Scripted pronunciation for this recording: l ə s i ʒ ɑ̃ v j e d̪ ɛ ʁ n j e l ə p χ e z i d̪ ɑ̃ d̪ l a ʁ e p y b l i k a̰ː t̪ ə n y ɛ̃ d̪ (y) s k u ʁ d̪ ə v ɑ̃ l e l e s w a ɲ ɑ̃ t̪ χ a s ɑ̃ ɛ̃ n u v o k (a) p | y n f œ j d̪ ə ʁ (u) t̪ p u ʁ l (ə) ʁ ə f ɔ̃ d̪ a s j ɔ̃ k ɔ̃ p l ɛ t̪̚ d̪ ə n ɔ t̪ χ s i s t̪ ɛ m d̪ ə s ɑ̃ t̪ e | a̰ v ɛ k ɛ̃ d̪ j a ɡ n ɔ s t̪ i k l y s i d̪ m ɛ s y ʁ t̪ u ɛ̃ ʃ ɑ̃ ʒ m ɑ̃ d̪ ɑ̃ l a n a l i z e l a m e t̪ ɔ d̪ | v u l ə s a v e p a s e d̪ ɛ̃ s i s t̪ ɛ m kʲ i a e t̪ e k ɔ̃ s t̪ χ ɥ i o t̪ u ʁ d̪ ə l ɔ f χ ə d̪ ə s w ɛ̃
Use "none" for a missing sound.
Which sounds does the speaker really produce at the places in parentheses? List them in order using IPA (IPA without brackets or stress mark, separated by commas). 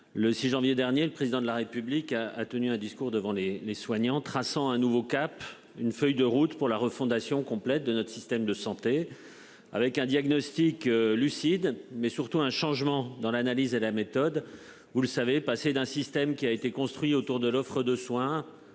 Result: i, a, u, a